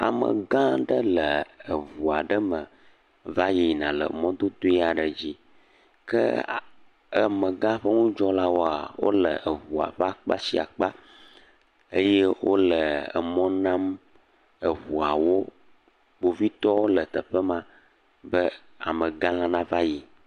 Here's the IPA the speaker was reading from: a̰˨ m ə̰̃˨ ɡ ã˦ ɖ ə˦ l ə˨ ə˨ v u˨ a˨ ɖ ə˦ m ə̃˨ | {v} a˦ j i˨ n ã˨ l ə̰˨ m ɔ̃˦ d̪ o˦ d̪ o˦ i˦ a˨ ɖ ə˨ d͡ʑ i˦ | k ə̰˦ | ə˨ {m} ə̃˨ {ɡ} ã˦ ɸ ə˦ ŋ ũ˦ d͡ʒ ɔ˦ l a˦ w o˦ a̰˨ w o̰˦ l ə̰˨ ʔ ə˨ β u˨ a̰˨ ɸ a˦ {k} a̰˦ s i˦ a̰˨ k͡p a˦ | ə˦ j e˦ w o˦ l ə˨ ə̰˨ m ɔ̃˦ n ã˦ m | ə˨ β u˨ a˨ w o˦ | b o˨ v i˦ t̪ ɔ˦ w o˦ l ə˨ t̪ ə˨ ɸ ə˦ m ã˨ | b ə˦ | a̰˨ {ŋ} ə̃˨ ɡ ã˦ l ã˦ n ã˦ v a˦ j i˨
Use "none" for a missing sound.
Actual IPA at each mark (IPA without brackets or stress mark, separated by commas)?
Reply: v, m, ɡ, k͡p, m